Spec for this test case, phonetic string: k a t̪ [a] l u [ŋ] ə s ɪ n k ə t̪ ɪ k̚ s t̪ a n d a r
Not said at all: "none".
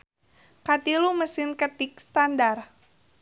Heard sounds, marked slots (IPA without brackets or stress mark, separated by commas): i, m